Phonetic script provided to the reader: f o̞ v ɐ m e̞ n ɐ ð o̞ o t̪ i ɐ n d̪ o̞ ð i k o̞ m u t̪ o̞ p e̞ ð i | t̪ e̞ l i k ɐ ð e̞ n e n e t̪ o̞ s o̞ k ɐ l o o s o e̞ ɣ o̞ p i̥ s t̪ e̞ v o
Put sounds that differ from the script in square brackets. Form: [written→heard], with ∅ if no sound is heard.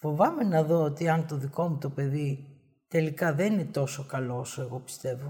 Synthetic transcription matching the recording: f o̞ v ɐ m e̞ n ɐ ð o̞ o t̪ i ɐ n [d̪→t̪] o̞ ð i k o̞ m u t̪ o̞ p e̞ ð i | t̪ e̞ l i k ɐ ð e̞ n [e→i] n e t̪ o̞ s o̞ k ɐ l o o s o e̞ ɣ o̞ p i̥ s t̪ e̞ v o